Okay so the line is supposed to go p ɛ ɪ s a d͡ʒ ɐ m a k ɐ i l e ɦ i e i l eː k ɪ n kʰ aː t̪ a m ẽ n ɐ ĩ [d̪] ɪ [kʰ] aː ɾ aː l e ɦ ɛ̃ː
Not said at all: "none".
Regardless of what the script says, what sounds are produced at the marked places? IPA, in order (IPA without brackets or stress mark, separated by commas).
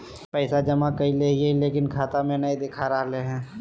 d̪, kʰ